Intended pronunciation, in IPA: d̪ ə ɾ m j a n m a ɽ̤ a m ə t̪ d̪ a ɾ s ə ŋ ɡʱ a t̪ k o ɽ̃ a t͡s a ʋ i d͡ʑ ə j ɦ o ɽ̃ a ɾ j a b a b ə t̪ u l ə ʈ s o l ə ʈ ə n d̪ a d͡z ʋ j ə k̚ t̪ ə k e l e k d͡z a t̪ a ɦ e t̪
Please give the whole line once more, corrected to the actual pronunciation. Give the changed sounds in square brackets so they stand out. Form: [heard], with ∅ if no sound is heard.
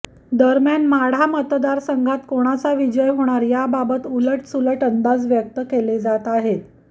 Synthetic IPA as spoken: d̪ ə ɾ m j a n m a ɽ̤ a m ə t̪ d̪ a ɾ s ə ŋ ɡʱ a t̪ k o ɽ̃ a t͡s a ʋ i d͡ʑ ə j ɦ o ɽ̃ a ɾ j a b a b ə t̪ u l ə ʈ s [u] l ə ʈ ə n d̪ a d͡z ʋ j ə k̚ t̪ ə k e l e [∅] d͡z a t̪ a ɦ e t̪